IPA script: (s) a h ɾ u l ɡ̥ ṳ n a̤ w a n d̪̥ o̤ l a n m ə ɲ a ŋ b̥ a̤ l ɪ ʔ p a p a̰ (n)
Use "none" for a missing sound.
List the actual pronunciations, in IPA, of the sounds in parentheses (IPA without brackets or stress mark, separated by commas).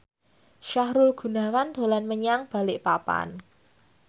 ʃ, n